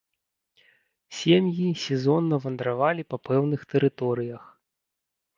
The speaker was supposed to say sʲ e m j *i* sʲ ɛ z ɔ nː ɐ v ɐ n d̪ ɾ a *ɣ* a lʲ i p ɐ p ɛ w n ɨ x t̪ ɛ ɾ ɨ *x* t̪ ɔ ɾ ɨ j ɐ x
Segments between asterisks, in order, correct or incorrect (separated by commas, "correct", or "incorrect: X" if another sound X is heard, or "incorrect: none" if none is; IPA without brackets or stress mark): correct, incorrect: v, incorrect: none